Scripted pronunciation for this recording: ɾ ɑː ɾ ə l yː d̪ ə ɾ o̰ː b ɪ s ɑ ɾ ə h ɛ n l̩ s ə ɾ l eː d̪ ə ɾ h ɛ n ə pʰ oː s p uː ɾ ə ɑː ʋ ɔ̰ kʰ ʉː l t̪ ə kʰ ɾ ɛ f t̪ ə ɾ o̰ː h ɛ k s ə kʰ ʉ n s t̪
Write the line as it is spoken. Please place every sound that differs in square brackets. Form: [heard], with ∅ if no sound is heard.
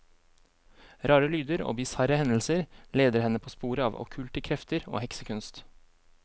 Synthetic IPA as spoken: ɾ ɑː ɾ ə l yː d̪ ə ɾ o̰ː b ɪ s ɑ ɾ ə h ɛ n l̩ s ə ɾ l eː d̪ ə ɾ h ɛ n ə pʰ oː s p uː ɾ ə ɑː ʋ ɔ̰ kʰ ʉː l t̪ ə kʰ ɾ ɛ f t̪ ə ɾ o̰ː h ɛ k s ə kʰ ʉ n s t̪